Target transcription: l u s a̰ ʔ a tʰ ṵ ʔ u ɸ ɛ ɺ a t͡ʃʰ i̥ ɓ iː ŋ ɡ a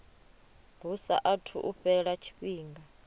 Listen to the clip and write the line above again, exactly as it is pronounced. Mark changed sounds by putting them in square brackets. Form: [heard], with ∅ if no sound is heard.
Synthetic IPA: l u s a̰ ʔ a tʰ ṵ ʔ u ɸ ɛ ɺ a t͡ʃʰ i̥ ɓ iː ŋ ɡ a